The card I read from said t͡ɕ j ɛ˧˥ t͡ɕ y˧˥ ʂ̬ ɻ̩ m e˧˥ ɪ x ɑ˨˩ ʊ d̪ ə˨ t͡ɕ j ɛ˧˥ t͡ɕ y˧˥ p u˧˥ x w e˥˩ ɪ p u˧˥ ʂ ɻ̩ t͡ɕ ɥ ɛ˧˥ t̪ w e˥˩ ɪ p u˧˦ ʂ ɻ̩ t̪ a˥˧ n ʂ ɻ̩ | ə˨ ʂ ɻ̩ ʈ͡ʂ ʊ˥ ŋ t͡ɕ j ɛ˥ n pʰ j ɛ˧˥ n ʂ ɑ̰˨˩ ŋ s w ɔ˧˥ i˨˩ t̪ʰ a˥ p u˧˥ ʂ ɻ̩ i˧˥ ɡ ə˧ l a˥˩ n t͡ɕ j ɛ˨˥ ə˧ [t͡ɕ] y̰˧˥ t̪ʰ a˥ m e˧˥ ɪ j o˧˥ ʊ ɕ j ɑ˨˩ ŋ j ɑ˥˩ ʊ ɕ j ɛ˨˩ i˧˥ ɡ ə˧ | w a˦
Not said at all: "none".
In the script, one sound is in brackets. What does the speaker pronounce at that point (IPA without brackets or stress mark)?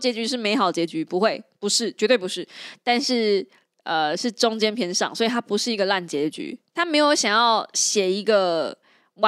t͡ɕ